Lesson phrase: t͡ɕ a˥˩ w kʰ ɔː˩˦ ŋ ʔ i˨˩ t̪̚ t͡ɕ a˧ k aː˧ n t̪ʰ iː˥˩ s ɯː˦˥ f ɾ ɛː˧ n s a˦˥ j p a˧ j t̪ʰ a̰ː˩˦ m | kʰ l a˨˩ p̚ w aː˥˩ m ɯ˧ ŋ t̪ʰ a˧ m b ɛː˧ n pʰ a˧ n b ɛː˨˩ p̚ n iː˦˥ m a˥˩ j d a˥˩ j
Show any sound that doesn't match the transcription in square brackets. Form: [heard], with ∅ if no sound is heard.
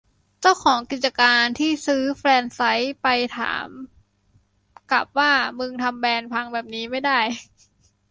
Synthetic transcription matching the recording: t͡ɕ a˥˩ w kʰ ɔː˩˦ ŋ [k] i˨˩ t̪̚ t͡ɕ a˧ k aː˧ n t̪ʰ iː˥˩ s ɯː˦˥ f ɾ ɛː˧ n s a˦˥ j p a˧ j t̪ʰ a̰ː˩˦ m | [k] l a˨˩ p̚ w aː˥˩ m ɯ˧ ŋ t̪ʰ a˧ m b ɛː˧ n pʰ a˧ [ŋ] b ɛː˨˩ p̚ n iː˦˥ m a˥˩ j d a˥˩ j

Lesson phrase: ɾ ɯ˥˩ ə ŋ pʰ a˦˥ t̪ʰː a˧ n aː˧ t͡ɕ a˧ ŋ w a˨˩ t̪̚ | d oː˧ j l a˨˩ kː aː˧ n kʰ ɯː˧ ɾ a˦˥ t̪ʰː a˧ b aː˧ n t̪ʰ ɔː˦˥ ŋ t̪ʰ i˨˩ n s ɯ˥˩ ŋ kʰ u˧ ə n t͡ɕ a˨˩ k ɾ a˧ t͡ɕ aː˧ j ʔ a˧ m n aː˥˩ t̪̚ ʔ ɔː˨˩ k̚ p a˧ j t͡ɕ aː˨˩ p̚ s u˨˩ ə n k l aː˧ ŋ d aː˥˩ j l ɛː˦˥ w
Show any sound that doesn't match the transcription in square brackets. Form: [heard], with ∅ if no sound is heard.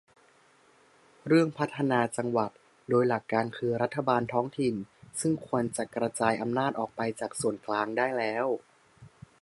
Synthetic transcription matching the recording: ɾ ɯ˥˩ ə ŋ pʰ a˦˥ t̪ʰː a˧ n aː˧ t͡ɕ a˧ ŋ w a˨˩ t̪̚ | d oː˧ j l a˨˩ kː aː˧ n kʰ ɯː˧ ɾ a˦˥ t̪ʰː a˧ b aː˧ n t̪ʰ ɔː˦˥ ŋ t̪ʰ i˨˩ n s ɯ˥˩ ŋ kʰ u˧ ə n t͡ɕ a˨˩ k ɾ a˧ t͡ɕ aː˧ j ʔ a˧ m n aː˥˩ t̪̚ ʔ ɔː˨˩ k̚ p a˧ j t͡ɕ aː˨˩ [k̚] s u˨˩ ə n k l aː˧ ŋ d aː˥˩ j l ɛː˦˥ w

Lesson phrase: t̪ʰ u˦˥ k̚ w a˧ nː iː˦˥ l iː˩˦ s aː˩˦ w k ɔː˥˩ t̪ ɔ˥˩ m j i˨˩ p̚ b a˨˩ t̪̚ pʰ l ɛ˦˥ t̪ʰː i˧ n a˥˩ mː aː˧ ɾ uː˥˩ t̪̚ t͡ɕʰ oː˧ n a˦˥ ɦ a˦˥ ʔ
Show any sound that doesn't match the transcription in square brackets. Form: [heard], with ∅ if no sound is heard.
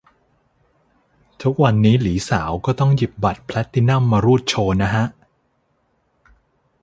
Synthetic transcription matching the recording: t̪ʰ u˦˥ k̚ w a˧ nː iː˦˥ l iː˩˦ s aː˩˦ w k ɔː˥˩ t̪ ɔ˥˩ [ŋ] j i˨˩ p̚ b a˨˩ t̪̚ pʰ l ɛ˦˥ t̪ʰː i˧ n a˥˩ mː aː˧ ɾ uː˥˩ t̪̚ t͡ɕʰ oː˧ n a˦˥ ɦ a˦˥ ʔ

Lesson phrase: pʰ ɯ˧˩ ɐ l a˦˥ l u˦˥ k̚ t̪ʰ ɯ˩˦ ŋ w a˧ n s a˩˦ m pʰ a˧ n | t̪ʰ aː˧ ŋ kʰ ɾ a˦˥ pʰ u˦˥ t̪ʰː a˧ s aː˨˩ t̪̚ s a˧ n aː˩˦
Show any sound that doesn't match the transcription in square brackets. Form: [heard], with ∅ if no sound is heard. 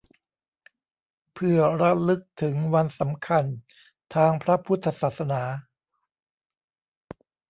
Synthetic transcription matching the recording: pʰ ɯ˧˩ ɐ [ɾ] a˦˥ l [ɯ˦˥] k̚ t̪ʰ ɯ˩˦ ŋ w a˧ n s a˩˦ m [kʰ] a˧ n | t̪ʰ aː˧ ŋ [pʰ] ɾ a˦˥ pʰ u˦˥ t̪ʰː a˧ s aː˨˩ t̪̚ s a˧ n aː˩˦

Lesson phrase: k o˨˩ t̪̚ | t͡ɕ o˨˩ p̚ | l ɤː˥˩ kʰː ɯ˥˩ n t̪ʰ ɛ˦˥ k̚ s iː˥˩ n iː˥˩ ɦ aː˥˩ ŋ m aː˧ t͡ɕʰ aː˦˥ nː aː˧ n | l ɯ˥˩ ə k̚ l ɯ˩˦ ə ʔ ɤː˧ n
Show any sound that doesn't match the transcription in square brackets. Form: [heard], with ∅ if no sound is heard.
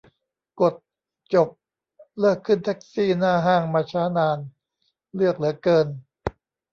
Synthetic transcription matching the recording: k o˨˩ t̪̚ | t͡ɕ o˨˩ p̚ | l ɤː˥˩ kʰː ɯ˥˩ n t̪ʰ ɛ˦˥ k̚ s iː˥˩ n [aː˥˩] ɦ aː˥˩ ŋ m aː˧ t͡ɕʰ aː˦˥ [n] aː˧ n | l ɯ˥˩ ə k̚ l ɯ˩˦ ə [k] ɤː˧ n

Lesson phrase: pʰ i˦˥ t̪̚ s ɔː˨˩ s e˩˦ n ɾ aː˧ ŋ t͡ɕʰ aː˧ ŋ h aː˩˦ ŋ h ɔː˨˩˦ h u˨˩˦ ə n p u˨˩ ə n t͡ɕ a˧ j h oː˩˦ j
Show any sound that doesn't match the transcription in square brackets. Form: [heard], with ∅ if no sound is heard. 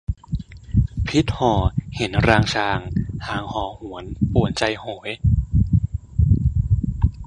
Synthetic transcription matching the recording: pʰ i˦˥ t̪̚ [h] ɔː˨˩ [h] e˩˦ n ɾ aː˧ ŋ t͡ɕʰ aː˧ ŋ h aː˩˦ ŋ h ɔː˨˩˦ h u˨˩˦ ə n p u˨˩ ə n t͡ɕ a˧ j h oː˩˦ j

